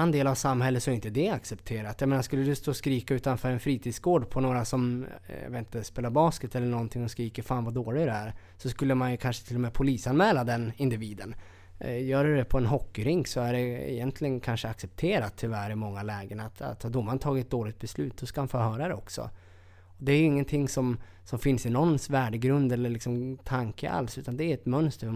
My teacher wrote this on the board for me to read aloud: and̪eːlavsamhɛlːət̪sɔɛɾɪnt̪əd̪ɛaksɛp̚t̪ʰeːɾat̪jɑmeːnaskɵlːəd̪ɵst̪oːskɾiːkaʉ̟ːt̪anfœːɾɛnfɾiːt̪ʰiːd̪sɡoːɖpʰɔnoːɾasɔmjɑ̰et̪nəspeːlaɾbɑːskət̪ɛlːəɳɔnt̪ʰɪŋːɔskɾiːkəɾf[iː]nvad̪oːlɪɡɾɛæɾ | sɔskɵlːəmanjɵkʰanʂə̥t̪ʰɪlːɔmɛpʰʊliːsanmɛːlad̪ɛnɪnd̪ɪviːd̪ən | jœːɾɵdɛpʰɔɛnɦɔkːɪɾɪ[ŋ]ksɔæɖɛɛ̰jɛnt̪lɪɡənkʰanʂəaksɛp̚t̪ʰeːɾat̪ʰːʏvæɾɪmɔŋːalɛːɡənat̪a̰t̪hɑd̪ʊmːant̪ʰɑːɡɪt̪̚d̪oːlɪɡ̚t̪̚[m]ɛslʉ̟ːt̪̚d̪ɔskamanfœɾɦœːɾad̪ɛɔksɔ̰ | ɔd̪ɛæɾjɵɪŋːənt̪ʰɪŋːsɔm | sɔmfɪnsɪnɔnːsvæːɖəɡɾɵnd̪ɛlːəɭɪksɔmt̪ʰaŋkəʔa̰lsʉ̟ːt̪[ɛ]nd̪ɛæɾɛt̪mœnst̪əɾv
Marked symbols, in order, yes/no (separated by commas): no, yes, no, no